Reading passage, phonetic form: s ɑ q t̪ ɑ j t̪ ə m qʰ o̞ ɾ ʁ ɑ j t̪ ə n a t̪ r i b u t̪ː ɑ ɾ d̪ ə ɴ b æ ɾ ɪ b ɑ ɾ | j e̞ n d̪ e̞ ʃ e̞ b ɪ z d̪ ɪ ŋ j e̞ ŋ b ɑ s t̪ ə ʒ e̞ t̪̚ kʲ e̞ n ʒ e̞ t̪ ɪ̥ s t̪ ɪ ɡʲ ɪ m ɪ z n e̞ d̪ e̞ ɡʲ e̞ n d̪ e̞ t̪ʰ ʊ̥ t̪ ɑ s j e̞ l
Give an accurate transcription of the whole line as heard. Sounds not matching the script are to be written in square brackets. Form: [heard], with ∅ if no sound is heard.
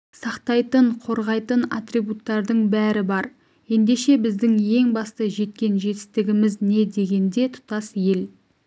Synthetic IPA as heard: s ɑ q t̪ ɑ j t̪ ə [ɴ] qʰ o̞ ɾ ʁ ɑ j t̪ ə n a t̪ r i b u t̪ː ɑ ɾ d̪ ə ɴ b æ ɾ ɪ b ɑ ɾ | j e̞ n d̪ e̞ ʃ e̞ b ɪ z d̪ ɪ ŋ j e̞ ŋ b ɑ s t̪ ə ʒ e̞ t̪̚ kʲ e̞ n ʒ e̞ t̪ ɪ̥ s t̪ ɪ ɡʲ ɪ m ɪ z n e̞ d̪ e̞ ɡʲ e̞ n d̪ e̞ t̪ʰ ʊ̥ t̪ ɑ s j e̞ l

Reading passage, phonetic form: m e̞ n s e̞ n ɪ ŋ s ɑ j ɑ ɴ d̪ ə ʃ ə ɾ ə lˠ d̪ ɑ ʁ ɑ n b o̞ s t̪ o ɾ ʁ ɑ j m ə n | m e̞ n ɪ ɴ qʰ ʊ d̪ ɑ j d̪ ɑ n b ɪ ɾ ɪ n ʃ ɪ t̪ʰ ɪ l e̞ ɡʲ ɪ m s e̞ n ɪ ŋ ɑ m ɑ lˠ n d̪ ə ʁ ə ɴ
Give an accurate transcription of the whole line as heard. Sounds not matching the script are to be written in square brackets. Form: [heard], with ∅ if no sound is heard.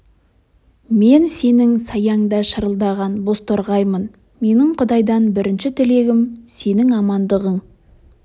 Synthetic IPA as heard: m e̞ n s e̞ n ɪ ŋ s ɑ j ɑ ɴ d̪ [ɑ] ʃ ə ɾ ə lˠ d̪ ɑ ʁ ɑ n b o̞ s t̪ o ɾ ʁ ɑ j m ə n | m e̞ n ɪ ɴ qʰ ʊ d̪ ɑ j d̪ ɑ n b ɪ ɾ ɪ n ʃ ɪ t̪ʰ ɪ l e̞ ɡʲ ɪ m s e̞ n ɪ ŋ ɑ m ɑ [∅] n d̪ ə ʁ ə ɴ

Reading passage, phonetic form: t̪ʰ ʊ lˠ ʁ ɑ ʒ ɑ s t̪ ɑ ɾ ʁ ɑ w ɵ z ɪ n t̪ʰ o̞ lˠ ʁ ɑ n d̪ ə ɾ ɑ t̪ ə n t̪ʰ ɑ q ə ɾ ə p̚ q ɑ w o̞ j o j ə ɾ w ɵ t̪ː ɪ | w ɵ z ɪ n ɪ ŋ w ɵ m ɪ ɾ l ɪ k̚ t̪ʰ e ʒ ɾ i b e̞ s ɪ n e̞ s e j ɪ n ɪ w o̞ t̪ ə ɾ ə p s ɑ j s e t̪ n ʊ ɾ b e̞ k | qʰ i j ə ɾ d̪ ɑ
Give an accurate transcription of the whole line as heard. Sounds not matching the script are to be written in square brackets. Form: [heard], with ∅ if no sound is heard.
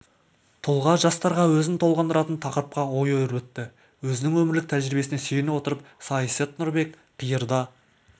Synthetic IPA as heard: t̪ʰ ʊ lˠ ʁ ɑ ʒ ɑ s t̪ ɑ ɾ ʁ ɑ w ɵ z ɪ n t̪ʰ o̞ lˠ ʁ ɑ n d̪ ə ɾ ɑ t̪ ə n t̪ʰ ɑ q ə ɾ ə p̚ q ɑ w o̞ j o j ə ɾ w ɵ t̪ː ɪ | w ɵ z ɪ n ɪ ŋ w ɵ m ɪ ɾ l ɪ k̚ t̪ʰ [æ] ʒ ɾ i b e̞ s ɪ n e̞ s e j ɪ n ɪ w o̞ t̪ ə ɾ ə p s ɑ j s e t̪ n ʊ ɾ b e̞ k | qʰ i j ə ɾ d̪ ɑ

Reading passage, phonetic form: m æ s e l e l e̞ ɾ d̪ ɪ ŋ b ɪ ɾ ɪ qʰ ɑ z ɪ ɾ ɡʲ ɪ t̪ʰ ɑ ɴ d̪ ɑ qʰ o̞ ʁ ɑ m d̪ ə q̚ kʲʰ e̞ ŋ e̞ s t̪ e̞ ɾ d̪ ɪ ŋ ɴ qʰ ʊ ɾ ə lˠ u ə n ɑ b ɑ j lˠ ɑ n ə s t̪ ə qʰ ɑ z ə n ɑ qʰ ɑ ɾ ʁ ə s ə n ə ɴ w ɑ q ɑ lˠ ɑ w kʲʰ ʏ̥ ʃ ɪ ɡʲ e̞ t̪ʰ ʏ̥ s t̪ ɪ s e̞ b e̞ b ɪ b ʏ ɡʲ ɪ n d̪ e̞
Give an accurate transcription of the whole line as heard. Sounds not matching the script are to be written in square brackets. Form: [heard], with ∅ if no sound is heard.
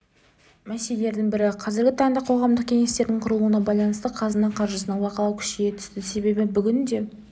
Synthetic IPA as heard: m æ s e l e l e̞ ɾ d̪ ɪ ŋ b ɪ ɾ ɪ qʰ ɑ z ɪ ɾ ɡʲ ɪ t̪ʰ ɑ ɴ d̪ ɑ qʰ o̞ ʁ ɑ m d̪ ə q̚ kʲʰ e̞ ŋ e̞ s t̪ e̞ ɾ d̪ ɪ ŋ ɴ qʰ ʊ ɾ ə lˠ u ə n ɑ b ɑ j lˠ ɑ n ə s t̪ ə qʰ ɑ z ə n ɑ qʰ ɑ ɾ [ʒ] ə s ə n ə ɴ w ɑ q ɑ lˠ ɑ w kʲʰ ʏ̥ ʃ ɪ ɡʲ e̞ t̪ʰ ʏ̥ s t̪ ɪ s e̞ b e̞ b ɪ b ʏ ɡʲ ɪ n d̪ e̞

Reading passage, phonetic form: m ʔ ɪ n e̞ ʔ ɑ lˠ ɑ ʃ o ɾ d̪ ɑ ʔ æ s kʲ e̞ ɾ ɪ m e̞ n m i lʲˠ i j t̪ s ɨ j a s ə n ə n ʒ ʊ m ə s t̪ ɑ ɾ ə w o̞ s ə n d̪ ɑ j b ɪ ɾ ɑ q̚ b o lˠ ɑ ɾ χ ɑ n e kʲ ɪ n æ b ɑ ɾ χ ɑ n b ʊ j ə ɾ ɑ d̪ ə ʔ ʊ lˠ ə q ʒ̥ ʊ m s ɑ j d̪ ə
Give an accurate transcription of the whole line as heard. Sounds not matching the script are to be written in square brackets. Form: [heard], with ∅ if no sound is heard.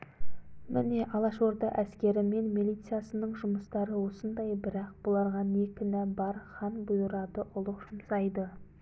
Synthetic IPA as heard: m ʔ ɪ n e̞ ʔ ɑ lˠ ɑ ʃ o ɾ d̪ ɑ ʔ æ s kʲ e̞ ɾ ɪ m e̞ n m i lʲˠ i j t̪ s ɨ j a s ə n ə [ɴ] ʒ ʊ m ə s t̪ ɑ ɾ ə w o̞ s ə n d̪ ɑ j b ɪ ɾ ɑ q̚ b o lˠ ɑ ɾ [ʁ] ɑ n e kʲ ɪ n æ b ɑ ɾ χ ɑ n b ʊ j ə ɾ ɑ d̪ ə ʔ ʊ lˠ ə q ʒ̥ ʊ m s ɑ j d̪ ə

